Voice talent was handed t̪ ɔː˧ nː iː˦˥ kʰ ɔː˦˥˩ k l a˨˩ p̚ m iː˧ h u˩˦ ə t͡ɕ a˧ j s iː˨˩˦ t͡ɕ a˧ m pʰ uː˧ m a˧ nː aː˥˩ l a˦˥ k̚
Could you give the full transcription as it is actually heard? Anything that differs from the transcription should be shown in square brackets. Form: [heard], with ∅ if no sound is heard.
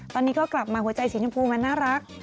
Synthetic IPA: t̪ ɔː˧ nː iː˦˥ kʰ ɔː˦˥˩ k l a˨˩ p̚ m [aː˧] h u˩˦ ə t͡ɕ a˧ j s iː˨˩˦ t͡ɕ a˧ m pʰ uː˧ m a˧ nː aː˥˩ [ɾ] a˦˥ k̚